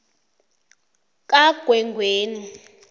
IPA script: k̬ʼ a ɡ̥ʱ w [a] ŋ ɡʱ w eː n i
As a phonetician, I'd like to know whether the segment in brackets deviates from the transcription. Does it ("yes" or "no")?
yes